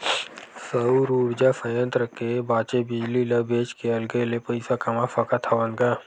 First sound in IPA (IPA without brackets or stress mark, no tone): s